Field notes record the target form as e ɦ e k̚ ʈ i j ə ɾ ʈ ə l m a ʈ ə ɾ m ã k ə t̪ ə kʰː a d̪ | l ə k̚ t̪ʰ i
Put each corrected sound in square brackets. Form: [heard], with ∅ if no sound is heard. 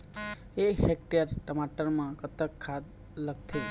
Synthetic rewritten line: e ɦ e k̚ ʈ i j ə ɾ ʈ ə [∅] m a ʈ ə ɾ m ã k ə t̪ ə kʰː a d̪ | l ə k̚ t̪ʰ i